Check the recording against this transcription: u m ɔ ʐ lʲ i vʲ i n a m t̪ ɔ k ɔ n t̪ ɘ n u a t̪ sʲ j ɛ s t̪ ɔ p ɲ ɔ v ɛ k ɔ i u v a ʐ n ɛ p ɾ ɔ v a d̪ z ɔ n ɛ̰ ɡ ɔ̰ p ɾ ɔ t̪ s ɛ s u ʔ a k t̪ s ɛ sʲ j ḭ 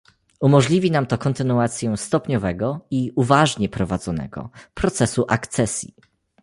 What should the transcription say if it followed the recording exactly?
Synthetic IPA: u m ɔ ʐ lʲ i vʲ i n a m t̪ ɔ k ɔ n t̪ ɘ n u a t̪ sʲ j ɛ s t̪ ɔ p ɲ ɔ v ɛ ɡ ɔ i u v a ʐ ɲ ɛ p ɾ ɔ v a d̪ z ɔ n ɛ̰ ɡ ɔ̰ p ɾ ɔ t̪ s ɛ s u ʔ a k t̪ s ɛ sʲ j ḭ